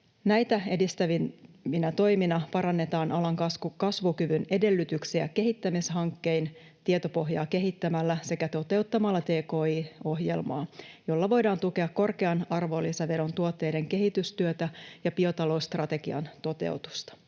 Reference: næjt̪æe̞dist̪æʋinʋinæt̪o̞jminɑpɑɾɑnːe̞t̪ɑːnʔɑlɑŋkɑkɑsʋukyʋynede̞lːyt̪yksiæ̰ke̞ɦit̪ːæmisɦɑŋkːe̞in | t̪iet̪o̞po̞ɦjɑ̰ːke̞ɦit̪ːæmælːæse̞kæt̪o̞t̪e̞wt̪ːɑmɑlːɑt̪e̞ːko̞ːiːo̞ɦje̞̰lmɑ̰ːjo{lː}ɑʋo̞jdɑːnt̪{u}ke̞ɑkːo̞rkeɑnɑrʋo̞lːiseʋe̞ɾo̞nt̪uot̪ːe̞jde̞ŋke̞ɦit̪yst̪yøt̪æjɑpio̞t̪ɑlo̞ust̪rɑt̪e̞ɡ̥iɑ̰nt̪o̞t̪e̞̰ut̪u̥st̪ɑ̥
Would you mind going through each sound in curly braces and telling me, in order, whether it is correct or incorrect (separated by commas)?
correct, correct